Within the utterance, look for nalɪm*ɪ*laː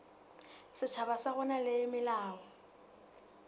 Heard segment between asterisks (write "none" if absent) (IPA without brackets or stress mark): ɪ